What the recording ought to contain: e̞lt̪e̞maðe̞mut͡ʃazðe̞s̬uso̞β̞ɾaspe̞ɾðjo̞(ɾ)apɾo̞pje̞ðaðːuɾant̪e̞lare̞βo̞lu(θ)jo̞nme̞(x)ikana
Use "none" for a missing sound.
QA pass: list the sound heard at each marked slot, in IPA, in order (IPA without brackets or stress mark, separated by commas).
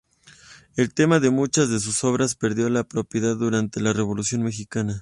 l, s, x